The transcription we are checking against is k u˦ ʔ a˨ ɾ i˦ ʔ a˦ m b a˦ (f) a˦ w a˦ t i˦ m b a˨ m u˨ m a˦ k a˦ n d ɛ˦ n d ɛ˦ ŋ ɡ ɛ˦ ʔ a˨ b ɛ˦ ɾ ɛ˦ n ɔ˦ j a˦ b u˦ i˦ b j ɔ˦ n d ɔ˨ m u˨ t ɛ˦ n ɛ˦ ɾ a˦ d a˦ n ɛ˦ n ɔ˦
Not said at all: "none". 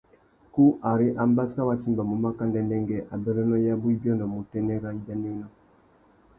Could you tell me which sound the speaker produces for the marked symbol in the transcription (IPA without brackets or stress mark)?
s